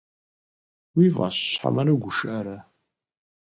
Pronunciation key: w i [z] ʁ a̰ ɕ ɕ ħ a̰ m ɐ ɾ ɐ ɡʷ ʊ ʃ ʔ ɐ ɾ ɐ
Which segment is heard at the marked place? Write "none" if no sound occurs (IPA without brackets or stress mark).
v